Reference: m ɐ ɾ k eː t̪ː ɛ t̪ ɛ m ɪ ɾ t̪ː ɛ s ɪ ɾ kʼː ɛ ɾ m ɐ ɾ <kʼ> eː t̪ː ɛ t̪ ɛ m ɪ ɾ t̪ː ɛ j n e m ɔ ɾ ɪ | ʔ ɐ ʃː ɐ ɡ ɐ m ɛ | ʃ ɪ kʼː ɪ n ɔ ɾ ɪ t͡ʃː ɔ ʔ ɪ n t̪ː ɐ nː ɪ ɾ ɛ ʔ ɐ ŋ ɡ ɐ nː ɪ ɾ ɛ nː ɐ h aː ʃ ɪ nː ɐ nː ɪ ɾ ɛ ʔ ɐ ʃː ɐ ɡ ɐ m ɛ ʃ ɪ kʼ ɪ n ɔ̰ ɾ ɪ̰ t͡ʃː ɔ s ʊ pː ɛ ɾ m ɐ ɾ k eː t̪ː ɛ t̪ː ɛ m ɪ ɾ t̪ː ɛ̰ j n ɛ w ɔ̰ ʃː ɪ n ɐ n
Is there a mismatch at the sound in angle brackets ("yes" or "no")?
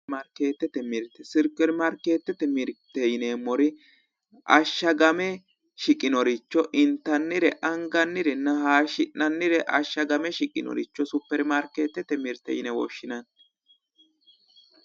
yes